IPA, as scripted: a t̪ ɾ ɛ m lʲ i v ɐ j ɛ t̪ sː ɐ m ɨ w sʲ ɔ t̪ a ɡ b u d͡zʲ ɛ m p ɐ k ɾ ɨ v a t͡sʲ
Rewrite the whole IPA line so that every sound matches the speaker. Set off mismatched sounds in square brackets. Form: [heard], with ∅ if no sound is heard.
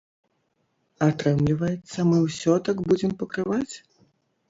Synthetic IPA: a t̪ ɾ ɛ m lʲ i v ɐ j ɛ t̪ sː ɐ m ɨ w sʲ ɔ t̪ a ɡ b u d͡zʲ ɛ m p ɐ k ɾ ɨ v a t͡sʲ